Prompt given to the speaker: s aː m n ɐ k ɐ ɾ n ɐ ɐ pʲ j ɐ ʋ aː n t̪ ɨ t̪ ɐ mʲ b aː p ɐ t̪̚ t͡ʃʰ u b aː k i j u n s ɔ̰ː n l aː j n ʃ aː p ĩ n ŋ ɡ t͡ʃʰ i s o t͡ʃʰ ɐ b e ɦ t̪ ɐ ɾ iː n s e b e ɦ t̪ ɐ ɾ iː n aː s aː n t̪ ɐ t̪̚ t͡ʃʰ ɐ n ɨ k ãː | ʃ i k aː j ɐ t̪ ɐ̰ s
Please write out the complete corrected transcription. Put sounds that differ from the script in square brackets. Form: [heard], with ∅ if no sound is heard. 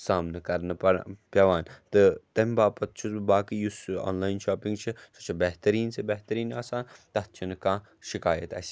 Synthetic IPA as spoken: s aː m n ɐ k ɐ ɾ n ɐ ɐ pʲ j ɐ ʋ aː n t̪ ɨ t̪ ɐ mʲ b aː p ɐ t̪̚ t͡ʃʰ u b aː k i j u [∅] s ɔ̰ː n l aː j n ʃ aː p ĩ [∅] ŋ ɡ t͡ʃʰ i s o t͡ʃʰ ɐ b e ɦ t̪ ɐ ɾ iː n s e b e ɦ t̪ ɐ ɾ iː n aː s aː n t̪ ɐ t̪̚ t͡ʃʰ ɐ n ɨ k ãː | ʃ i k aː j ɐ t̪ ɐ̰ s